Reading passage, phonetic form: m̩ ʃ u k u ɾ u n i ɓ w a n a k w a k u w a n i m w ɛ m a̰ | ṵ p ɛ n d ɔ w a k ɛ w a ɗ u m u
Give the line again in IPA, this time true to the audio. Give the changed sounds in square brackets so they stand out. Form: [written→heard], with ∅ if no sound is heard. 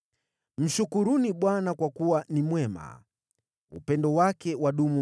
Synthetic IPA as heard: m̩ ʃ u k u ɾ u n i ɓ w a n a k w a k u w a n i m w ɛ m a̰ | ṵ p ɛ n d ɔ w a k ɛ w a ɗ u m u

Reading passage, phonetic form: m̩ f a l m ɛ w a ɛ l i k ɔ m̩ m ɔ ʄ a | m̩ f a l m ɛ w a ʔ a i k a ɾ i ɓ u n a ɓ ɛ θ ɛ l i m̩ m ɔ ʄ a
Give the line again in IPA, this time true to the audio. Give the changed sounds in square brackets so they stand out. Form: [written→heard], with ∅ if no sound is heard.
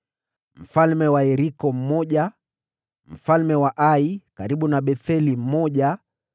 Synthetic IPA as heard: m̩ f a l m ɛ w a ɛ [l→ɾ] i k ɔ m̩ m ɔ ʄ a | m̩ f a l m ɛ w a ʔ a i k a ɾ i ɓ u n a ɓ ɛ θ ɛ l i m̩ m ɔ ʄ a

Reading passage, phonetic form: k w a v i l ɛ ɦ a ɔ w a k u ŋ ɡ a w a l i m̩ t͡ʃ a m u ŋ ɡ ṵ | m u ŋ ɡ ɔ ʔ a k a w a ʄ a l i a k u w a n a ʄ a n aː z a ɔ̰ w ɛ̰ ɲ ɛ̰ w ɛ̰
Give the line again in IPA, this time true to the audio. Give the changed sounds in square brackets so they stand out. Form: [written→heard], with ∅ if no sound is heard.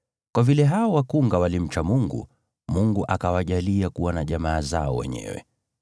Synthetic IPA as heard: k w a v i l ɛ ɦ a ɔ w a k u ŋ ɡ a w a l i m̩ t͡ʃ a m u ŋ ɡ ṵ | m u ŋ ɡ [ɔ→u] ʔ a k a w a ʄ a l i a k u w a n a ʄ a [n→m] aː z a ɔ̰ w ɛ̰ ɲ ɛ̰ w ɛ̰

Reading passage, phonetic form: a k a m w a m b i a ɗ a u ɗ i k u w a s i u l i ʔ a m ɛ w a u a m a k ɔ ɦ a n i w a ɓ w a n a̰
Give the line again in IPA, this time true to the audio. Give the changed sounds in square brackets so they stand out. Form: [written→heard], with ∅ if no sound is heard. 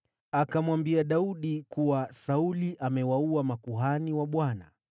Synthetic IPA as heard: a k a m w a m b i a ɗ a u ɗ i k u w a s [i→a] u l i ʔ a m ɛ w a u a m a k [ɔ→u] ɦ a n i w a ɓ w a n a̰

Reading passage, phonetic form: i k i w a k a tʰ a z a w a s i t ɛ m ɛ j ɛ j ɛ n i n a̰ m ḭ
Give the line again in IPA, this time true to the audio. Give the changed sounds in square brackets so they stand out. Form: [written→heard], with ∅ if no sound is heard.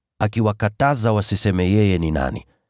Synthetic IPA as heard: [i→a] k i w a k a [tʰ→t] a z a w a s i [t→s] ɛ m ɛ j ɛ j ɛ n i n a̰ [m→n] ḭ

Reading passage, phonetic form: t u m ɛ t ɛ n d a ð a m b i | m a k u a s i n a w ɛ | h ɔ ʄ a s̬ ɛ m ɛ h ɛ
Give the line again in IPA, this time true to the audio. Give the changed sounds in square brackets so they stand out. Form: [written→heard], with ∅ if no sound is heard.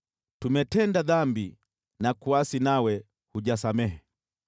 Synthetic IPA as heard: t u m ɛ t ɛ n d a ð a m b i | [m→n] a k u a s i n a w ɛ | h [ɔ→u] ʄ a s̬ [ɛ→a] m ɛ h ɛ

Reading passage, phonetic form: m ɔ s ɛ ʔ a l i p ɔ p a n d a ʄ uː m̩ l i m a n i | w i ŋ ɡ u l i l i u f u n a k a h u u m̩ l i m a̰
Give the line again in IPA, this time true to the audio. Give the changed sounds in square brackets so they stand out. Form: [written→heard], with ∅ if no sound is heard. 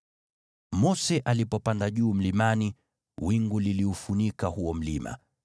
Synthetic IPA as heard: m ɔ s ɛ ʔ a l i p ɔ p a n d a ʄ uː m̩ l i m a n i | w i ŋ ɡ u l i l i u f u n [a→i] k a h u [u→ɔ] m̩ l i m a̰

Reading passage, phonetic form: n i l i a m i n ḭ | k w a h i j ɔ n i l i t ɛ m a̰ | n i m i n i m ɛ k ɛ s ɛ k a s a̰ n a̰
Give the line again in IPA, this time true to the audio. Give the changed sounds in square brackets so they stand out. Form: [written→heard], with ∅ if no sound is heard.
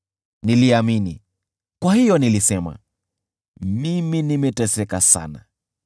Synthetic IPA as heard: n i l i a m i n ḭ | k w a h i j ɔ n i l i [t→s] ɛ m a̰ | [n→m] i m i n i m ɛ [k→t] ɛ s ɛ k a s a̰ n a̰

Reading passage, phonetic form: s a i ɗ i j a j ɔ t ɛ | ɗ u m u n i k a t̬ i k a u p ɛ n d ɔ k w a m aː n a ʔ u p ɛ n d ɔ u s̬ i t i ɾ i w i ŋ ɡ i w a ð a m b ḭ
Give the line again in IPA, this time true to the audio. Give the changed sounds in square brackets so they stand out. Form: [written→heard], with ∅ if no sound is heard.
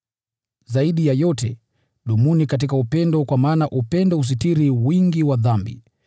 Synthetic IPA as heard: [s→z] a i ɗ i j a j ɔ t ɛ | ɗ u m u n i k a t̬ i k a u p ɛ n d ɔ k w a m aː n a ʔ u p ɛ n d ɔ u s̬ i t i ɾ i w i ŋ ɡ i w a ð a m b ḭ

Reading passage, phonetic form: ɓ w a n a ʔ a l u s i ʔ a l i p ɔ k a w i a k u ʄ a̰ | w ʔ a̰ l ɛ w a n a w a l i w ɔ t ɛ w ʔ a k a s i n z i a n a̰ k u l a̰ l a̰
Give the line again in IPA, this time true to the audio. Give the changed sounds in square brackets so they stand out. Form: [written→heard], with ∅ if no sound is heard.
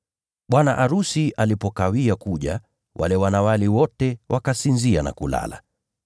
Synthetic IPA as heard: ɓ w a n a ʔ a [l→ɾ] u s i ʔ a l i p ɔ k a w i a k u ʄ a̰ | w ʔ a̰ l ɛ w a n a w a l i w ɔ t ɛ w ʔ a k a s i n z i a n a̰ k u l a̰ l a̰

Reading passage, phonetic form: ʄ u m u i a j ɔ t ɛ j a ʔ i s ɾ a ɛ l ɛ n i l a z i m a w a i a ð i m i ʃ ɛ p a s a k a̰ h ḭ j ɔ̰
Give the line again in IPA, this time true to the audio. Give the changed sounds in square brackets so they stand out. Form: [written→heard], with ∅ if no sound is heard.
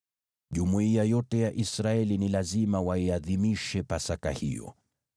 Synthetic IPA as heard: ʄ u m u i a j ɔ t ɛ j a ʔ i s ɾ a ɛ l [ɛ→i] n i l a z i m a w a i a ð i m i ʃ ɛ p a s a k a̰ h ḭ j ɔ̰

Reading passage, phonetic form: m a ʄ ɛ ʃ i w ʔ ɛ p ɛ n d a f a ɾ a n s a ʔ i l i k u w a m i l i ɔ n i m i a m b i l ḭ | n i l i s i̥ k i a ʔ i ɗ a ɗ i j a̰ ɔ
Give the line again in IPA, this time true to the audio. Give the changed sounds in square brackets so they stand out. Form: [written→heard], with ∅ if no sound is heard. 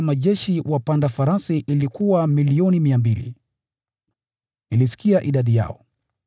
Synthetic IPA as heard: m a ʄ ɛ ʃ i w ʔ [ɛ→a] p [ɛ→a] n d a f a ɾ a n s [a→i] ʔ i l i k u w a m i l i ɔ n i m i a m b i l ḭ | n i l i s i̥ k i a ʔ i ɗ a ɗ i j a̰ ɔ

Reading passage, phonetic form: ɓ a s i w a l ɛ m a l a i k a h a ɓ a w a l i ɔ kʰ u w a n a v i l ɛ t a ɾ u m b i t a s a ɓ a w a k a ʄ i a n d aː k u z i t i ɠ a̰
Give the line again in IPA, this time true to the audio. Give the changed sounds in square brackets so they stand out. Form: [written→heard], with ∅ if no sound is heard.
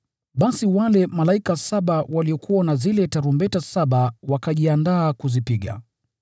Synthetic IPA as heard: ɓ a s i w a l ɛ m a l a i k a [h→s] a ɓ a w a l i ɔ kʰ u w a n a [v→z] i l ɛ t a ɾ u m b [i→ɛ] t a s a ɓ a w a k a ʄ i a n d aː k u z i [t→p] i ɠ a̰

